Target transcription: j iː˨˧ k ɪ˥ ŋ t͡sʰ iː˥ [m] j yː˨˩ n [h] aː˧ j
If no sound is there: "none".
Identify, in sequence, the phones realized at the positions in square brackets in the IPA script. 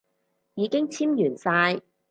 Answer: m, s

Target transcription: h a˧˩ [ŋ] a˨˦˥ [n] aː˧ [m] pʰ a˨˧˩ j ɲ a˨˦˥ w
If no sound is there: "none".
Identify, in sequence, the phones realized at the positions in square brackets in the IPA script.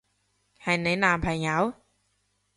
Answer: n, n, m

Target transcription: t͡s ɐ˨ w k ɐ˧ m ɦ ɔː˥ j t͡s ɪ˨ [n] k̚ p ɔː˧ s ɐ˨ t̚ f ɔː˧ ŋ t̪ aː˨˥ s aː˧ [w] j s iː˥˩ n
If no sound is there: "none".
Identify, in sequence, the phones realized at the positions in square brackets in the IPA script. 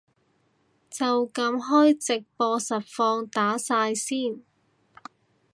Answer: none, none

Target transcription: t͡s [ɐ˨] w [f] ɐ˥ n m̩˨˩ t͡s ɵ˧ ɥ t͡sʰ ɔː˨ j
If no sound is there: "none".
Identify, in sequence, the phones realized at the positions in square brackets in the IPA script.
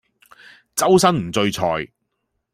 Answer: ɐ˥, s

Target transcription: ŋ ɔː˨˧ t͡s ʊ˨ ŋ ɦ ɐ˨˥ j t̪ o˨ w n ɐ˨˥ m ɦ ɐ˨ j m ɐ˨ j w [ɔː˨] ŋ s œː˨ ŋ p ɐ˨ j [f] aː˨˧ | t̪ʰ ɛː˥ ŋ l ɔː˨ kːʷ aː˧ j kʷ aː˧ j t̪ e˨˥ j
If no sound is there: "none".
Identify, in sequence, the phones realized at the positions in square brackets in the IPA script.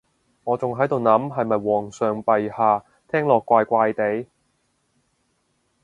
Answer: ɔː˨, h

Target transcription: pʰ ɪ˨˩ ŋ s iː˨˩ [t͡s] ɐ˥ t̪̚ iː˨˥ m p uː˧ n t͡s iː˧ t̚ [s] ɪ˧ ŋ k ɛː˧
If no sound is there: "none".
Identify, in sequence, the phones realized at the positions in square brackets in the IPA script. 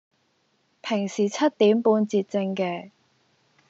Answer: t͡sʰ, t͡s

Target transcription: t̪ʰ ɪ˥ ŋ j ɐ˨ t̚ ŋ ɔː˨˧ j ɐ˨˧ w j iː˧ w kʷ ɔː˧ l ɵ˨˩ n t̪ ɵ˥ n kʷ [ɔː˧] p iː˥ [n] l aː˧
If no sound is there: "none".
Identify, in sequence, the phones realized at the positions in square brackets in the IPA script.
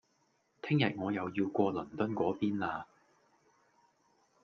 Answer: ɔː˨˥, n

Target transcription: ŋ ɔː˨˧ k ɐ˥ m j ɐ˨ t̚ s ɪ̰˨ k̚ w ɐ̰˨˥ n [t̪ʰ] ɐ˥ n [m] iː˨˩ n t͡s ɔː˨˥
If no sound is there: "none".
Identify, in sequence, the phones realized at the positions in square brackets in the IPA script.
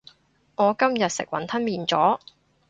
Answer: t̪ʰ, m

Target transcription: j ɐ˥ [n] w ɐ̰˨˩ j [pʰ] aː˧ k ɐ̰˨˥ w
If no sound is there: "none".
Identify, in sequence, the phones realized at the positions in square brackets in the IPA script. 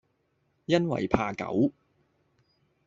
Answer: n, pʰ

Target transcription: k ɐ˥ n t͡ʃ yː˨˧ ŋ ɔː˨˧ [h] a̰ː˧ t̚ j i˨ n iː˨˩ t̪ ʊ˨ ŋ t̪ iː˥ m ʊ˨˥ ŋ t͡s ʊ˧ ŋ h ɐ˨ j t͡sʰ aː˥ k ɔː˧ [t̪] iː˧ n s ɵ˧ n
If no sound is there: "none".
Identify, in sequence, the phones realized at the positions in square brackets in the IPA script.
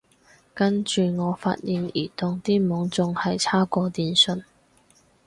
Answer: f, t̪

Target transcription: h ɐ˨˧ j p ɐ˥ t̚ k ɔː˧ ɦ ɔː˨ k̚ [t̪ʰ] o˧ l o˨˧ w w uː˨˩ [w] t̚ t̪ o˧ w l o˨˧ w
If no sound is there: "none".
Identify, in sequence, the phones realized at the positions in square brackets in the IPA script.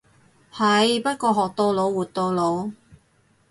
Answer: t̪, none

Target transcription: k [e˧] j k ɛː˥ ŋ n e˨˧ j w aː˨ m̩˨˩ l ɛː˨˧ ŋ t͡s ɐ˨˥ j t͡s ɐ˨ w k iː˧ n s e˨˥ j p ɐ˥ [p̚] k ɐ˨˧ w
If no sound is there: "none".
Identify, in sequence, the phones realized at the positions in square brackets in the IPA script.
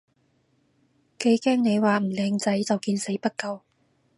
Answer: e˨˥, t̚

